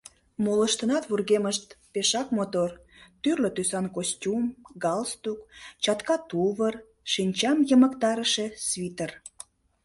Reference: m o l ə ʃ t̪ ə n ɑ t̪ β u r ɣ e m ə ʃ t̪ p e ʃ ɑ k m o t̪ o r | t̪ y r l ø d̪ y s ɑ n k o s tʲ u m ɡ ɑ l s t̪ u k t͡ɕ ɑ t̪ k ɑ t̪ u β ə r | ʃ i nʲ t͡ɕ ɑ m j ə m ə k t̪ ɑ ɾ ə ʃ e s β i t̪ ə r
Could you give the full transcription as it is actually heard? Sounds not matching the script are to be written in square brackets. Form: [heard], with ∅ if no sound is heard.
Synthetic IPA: m o l ə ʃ t̪ ə n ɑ t̪ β u r ɣ e m ə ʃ t̪ p e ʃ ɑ k m o t̪ o r | t̪ y r l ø [t̪] y s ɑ n k o s tʲ u m ɡ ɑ l s t̪ u k t͡ɕ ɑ t̪ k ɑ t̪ u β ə r | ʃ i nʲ t͡ɕ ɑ m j ə m ə k t̪ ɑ ɾ ə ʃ e s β i t̪ ə r